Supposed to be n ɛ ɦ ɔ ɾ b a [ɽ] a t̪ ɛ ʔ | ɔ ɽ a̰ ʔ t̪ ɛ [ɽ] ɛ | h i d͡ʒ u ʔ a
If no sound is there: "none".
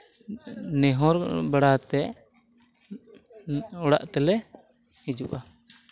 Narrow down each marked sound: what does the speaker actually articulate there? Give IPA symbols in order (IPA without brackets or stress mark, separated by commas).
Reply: ɽ, l